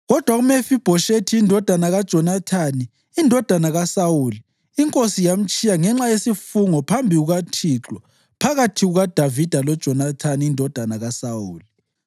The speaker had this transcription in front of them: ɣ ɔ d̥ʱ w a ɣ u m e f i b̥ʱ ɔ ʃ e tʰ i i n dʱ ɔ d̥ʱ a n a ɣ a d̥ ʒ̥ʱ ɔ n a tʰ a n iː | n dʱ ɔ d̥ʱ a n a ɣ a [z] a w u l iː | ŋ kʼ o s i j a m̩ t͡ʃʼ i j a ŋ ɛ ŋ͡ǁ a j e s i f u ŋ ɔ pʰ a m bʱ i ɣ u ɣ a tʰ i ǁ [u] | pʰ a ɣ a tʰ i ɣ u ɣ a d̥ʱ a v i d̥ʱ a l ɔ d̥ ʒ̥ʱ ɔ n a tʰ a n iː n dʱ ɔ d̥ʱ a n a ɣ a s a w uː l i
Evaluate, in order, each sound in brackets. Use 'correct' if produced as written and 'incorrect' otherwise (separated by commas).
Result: incorrect, incorrect